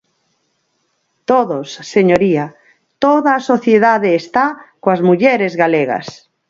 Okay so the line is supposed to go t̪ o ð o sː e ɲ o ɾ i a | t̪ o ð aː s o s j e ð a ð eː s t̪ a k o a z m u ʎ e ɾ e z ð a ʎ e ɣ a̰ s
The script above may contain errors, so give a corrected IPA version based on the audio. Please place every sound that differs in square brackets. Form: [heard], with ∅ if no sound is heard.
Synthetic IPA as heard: t̪ o ð o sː e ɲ o ɾ i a | t̪ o ð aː s o [θ] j e ð a ð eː s t̪ a k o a z m u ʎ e ɾ e z [ɣ] a [l] e ɣ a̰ s